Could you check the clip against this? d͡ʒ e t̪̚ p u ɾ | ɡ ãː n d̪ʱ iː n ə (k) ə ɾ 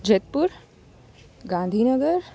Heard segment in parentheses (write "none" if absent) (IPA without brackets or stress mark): ɡ